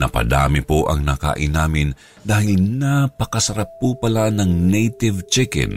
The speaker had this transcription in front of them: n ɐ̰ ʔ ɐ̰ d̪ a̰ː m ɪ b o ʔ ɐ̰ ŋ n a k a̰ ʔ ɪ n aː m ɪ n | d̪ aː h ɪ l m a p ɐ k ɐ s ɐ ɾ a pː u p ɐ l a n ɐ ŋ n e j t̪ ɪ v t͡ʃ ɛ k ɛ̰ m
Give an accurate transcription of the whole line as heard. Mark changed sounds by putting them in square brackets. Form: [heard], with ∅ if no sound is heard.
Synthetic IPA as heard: n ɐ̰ [p] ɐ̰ d̪ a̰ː m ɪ [p] o ʔ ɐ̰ ŋ n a k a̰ ʔ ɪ n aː m ɪ n | d̪ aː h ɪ l [n] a p ɐ k ɐ s ɐ ɾ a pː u p ɐ l a n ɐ ŋ n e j t̪ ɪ v t͡ʃ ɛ k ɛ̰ [n]